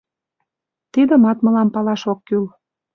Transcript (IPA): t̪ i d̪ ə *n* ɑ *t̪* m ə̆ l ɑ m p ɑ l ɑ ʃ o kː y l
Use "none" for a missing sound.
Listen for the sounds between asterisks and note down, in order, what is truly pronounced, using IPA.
m, t̪

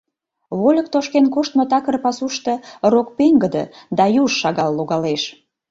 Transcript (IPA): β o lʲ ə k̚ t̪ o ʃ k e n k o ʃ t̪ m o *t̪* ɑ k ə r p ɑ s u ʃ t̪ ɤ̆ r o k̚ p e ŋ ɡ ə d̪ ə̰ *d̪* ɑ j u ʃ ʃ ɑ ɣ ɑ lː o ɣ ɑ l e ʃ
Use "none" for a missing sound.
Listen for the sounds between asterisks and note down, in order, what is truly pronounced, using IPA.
t̪, d̪

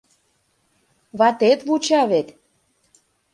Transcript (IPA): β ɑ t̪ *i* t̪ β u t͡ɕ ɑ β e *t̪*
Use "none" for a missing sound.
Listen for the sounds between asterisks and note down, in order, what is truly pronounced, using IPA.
e, t̪

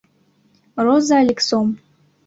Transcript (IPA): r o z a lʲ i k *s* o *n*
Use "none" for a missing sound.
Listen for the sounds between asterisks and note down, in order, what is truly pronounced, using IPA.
s, m

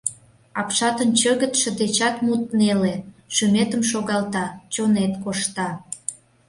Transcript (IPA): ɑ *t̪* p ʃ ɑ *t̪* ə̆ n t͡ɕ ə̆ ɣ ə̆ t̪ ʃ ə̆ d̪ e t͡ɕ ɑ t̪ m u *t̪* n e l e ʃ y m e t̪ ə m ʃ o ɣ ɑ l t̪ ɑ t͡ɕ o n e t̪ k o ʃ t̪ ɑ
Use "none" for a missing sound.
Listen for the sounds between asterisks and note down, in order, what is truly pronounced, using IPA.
none, t̪, t̪

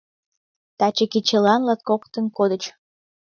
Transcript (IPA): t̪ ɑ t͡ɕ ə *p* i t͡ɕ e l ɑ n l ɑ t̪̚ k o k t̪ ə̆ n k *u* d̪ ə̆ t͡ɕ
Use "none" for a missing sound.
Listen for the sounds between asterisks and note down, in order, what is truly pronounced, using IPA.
k, o

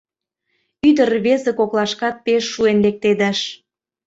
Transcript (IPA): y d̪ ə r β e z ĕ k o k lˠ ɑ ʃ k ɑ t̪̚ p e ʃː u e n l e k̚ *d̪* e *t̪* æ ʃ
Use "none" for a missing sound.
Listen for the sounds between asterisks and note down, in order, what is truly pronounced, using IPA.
t̪, d̪

